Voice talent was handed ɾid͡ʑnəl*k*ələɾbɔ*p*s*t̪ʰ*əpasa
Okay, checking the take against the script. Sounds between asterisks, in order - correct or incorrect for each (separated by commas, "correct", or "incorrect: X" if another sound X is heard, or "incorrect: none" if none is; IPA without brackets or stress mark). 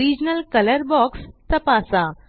correct, incorrect: k, incorrect: t̪